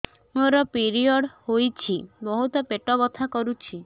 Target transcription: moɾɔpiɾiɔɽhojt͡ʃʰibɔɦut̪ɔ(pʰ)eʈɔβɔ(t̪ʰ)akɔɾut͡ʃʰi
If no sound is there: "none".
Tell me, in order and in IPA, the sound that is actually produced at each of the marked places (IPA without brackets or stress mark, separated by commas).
p, t̪ʰ